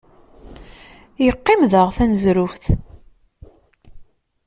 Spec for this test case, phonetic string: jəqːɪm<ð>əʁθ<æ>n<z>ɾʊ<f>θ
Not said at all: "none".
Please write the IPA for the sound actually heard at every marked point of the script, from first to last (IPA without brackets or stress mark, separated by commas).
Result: ð, æ, z, f